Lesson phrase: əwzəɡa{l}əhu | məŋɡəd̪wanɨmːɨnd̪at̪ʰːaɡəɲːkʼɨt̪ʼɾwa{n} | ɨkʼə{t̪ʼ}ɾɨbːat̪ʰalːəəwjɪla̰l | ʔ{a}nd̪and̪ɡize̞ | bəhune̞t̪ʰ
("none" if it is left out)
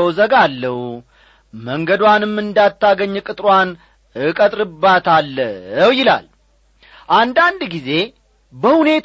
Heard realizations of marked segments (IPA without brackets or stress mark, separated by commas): lː, n, t̪ʼ, a